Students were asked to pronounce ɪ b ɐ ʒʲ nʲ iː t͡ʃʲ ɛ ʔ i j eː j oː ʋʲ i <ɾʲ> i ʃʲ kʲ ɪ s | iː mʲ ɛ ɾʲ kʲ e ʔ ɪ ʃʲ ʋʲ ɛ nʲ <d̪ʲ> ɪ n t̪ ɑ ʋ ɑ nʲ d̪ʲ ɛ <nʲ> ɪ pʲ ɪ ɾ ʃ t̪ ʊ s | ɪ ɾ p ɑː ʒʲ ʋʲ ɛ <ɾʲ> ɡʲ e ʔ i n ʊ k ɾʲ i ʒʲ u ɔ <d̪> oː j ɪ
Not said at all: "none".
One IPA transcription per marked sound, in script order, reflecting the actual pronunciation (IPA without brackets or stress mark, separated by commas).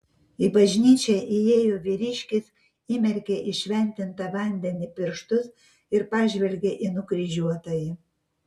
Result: ɾʲ, t̪ʲ, nʲ, lʲ, t̪